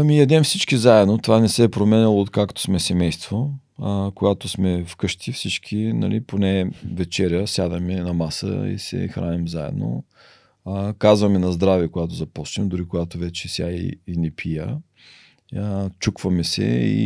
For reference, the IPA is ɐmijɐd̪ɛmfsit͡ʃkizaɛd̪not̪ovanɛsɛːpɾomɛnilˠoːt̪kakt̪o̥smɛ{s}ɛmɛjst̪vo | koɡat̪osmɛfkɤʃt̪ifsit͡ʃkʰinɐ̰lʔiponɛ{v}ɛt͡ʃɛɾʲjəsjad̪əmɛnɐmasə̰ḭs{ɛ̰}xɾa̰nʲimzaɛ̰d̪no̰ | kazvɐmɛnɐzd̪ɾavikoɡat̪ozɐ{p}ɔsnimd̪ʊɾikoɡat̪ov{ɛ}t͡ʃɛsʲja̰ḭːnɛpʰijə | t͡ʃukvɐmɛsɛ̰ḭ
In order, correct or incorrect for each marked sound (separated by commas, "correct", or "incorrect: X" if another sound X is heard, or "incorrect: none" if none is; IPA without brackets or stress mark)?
correct, correct, correct, correct, correct